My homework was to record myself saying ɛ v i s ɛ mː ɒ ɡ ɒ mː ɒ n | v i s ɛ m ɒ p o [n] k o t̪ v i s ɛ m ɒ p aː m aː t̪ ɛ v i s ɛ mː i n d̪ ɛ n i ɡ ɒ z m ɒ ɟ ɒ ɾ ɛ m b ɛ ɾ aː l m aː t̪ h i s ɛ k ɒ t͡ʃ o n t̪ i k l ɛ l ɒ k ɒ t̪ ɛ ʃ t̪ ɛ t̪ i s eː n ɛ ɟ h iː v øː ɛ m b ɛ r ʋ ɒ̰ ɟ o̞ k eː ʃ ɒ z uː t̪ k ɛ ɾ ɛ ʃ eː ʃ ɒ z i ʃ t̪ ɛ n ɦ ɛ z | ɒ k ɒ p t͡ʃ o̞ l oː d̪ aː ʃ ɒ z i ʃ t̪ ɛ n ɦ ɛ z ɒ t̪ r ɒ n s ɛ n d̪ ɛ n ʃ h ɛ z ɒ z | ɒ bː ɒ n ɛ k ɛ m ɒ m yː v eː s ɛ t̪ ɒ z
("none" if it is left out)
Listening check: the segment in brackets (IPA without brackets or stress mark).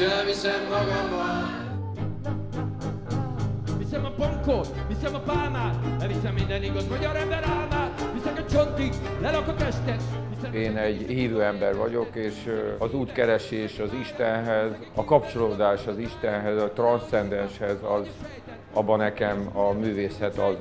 ŋ